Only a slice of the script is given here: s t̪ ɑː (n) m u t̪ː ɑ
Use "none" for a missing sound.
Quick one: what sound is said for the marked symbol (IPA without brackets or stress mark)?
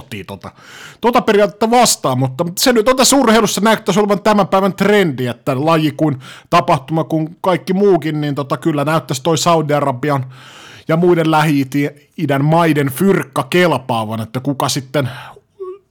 m